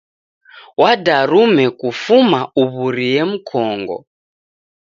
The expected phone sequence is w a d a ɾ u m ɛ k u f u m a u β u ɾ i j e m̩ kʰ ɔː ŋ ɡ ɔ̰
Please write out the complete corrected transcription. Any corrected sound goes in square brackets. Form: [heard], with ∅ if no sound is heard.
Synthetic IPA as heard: w a d a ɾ u m ɛ k u f u m a u β u ɾ i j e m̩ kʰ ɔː ŋ ɡ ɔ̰